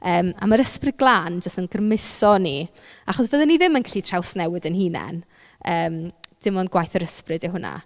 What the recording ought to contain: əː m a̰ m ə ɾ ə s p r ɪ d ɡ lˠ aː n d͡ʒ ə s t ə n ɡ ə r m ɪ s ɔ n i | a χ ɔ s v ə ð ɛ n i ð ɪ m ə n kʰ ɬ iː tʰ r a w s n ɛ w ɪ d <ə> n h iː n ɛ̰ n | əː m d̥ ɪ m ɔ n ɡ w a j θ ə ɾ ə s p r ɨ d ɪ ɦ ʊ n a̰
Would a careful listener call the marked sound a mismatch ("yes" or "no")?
no